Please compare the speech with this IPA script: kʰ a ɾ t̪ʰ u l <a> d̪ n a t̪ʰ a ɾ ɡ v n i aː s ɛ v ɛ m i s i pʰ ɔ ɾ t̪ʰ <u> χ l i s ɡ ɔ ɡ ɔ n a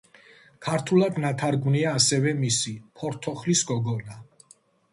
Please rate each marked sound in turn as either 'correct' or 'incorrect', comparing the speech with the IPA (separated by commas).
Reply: correct, incorrect